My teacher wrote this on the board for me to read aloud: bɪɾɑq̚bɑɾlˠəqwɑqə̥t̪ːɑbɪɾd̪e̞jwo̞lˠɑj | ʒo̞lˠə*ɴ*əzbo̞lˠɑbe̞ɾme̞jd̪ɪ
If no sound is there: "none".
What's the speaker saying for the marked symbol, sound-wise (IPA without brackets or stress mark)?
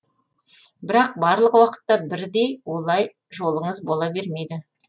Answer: ɴ